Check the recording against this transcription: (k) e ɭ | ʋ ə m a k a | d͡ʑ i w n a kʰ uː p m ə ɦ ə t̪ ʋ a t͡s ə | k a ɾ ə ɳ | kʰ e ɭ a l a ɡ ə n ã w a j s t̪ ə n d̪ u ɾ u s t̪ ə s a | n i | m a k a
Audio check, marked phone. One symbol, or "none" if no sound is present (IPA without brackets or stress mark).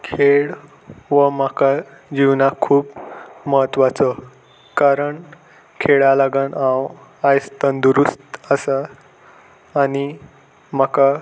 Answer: kʰ